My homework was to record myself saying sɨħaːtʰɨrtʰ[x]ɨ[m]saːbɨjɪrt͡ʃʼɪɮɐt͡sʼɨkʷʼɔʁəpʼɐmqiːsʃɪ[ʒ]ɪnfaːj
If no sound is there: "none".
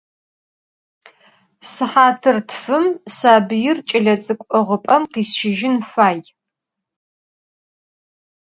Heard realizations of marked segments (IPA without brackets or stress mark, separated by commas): f, m, ʒ